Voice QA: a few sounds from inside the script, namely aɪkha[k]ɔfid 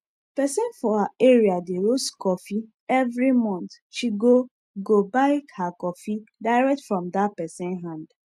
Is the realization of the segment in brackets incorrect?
no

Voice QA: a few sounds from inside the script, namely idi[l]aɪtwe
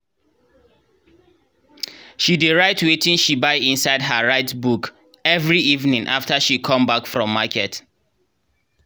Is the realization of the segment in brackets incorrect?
yes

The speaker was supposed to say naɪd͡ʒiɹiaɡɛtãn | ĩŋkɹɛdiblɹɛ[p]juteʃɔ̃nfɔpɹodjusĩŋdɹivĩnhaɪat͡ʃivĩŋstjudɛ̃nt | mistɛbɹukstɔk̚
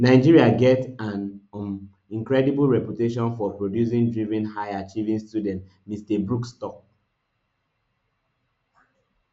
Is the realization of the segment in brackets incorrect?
no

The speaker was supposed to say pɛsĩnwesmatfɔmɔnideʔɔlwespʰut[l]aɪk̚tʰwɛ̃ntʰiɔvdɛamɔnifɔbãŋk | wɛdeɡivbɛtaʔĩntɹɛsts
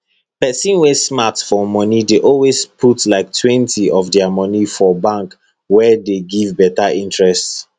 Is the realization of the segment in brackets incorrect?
no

